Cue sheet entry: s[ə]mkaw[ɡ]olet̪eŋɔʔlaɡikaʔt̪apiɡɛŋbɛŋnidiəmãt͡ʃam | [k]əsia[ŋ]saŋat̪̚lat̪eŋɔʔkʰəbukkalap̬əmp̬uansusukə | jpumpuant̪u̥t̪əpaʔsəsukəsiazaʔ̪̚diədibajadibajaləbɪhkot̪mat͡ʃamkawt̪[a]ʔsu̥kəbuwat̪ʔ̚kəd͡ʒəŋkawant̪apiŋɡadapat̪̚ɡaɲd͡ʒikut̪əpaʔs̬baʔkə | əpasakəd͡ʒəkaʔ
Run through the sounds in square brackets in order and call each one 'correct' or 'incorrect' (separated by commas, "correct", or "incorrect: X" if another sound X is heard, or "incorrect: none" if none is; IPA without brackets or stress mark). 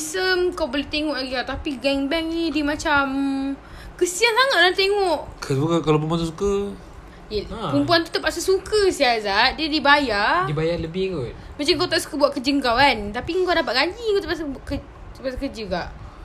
correct, incorrect: b, correct, incorrect: n, correct